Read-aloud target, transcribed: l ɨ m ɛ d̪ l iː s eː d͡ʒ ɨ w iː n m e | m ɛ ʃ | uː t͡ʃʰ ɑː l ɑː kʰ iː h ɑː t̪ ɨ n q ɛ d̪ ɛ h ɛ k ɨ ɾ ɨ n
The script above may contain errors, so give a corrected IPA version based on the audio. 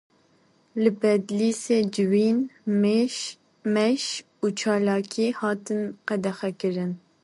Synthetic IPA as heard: l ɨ b ɛ d̪ l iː s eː d͡ʒ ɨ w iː n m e | m ɛ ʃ | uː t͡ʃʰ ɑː l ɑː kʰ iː h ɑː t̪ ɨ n q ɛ d̪ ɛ x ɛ k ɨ ɾ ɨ n